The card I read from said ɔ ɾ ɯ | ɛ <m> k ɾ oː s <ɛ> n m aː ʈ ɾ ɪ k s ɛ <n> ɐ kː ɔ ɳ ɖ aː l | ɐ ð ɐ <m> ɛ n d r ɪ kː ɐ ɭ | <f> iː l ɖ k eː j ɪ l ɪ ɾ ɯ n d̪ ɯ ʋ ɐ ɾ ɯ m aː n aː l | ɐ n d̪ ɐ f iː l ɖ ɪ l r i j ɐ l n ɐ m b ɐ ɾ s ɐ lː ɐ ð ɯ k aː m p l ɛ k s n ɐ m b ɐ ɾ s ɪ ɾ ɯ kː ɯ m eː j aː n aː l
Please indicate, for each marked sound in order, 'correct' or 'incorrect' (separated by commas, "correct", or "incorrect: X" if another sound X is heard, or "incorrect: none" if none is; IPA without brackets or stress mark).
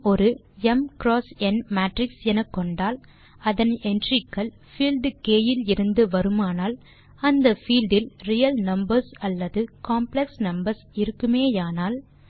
correct, correct, correct, incorrect: n, correct